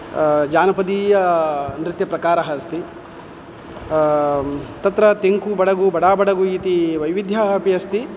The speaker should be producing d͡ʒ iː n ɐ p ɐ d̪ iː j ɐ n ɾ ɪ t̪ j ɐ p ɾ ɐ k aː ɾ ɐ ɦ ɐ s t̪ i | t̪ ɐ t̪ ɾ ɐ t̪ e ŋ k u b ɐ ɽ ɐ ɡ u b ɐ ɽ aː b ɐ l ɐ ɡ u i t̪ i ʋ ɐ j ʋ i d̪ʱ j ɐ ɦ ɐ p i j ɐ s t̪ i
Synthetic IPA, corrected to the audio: d͡ʒ aː n ɐ p ɐ d̪ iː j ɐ n ɾ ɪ t̪ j ɐ p ɾ ɐ k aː ɾ ɐ ɦ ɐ s t̪ i | t̪ ɐ t̪ ɾ ɐ t̪ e ŋ k u b ɐ ɽ ɐ ɡ u b ɐ ɽ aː b ɐ ɽ ɐ ɡ u i t̪ i ʋ ɐ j ʋ i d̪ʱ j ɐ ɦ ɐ p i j ɐ s t̪ i